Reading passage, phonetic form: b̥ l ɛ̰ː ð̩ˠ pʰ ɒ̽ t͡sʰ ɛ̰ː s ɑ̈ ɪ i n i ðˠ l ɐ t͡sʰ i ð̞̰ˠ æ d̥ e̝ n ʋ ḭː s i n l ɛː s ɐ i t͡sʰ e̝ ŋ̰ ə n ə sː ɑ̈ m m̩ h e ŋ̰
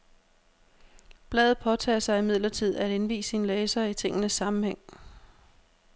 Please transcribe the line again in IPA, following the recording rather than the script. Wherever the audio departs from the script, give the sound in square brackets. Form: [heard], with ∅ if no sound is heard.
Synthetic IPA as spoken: b̥ l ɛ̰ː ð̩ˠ pʰ ɒ̽ t͡sʰ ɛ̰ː s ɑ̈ ɪ i [m] i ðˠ l ɐ t͡sʰ i ð̞̰ˠ æ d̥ e̝ n ʋ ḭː s i n l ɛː s ɐ i t͡sʰ e̝ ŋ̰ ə n ə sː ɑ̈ m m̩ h e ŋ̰